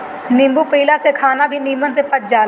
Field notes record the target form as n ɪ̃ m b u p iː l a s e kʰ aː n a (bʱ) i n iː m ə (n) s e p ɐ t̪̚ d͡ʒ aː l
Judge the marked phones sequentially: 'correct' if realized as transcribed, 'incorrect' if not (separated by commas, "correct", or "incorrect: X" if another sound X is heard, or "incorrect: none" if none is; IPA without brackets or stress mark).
correct, correct